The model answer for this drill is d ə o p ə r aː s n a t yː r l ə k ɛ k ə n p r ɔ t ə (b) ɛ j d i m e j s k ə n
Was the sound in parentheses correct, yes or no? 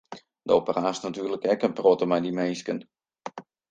no